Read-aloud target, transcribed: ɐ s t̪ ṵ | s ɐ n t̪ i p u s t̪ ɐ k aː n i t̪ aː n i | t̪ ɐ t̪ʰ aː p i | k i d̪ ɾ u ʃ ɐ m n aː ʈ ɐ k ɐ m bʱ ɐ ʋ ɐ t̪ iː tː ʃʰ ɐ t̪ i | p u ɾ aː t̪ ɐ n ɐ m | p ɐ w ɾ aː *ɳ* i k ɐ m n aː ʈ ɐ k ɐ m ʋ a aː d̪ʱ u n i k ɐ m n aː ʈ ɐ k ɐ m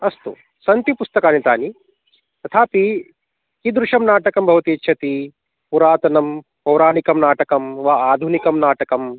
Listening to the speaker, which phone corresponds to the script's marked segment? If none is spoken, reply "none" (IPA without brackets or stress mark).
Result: n